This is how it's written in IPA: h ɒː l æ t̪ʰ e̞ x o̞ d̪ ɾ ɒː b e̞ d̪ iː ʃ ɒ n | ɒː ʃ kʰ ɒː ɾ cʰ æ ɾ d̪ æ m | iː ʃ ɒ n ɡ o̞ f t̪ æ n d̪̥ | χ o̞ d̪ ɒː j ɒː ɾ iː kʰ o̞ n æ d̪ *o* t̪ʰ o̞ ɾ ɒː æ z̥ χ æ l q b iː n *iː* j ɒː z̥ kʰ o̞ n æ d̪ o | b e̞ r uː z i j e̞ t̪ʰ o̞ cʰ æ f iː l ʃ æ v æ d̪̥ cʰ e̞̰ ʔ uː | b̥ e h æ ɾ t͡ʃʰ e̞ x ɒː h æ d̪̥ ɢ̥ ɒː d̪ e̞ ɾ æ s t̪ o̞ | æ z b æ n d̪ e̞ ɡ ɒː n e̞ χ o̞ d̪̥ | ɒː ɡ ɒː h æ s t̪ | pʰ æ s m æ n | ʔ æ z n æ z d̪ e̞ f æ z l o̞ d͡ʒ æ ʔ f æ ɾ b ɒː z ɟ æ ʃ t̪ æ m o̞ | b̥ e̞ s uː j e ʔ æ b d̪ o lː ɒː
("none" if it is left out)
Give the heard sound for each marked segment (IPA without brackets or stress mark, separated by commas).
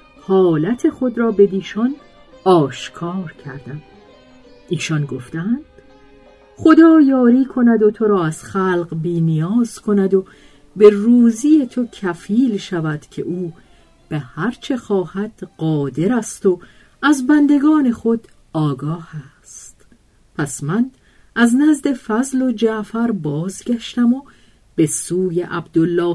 o, i